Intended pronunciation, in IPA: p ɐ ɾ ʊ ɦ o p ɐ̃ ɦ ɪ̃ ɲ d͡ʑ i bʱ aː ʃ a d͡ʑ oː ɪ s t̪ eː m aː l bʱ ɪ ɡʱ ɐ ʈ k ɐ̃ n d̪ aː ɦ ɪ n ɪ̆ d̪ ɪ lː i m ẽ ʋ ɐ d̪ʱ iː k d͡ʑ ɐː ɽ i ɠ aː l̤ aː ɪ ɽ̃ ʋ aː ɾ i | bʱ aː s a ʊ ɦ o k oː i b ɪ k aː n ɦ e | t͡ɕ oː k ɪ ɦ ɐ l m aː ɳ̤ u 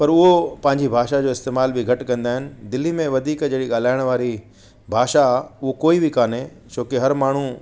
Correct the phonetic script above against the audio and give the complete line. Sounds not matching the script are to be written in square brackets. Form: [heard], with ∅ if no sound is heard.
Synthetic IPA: p ɐ ɾ ʊ ɦ o p ɐ̃ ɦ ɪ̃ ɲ d͡ʑ i bʱ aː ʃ a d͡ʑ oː ɪ s t̪ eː m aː l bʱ ɪ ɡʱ ɐ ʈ k ɐ̃ n d̪ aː ɦ ɪ n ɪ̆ d̪ ɪ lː i m ẽ ʋ ɐ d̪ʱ iː k d͡ʑ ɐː ɽ i ɠ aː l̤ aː ɪ ɽ̃ ʋ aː ɾ i | bʱ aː [ʃ] a ʊ ɦ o k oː i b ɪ k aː n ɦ e | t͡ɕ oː k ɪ ɦ ɐ [ɾ] m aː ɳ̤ u